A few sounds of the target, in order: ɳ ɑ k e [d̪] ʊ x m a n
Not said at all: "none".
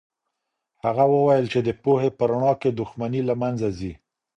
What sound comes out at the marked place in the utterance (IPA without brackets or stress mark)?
d̪